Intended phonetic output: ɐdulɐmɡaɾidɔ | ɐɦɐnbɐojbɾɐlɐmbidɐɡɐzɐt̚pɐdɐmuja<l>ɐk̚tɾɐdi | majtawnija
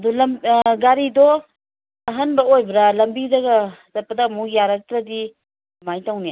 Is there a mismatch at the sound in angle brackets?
yes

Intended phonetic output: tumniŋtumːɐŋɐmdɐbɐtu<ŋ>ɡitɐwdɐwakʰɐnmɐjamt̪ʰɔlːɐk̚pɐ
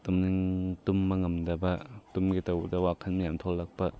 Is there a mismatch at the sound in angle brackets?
yes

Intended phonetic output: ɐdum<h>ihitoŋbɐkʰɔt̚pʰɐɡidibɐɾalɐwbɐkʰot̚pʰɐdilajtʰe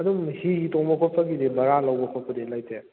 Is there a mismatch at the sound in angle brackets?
no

